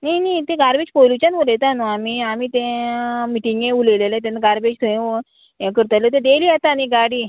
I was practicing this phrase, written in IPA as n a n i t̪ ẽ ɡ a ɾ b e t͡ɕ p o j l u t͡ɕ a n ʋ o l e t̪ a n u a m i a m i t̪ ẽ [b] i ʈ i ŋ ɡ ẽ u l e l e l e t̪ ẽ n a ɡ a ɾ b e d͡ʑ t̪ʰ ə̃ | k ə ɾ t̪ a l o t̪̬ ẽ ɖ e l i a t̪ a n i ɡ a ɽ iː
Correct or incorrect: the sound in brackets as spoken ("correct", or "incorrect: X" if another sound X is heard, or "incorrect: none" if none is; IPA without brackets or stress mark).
incorrect: m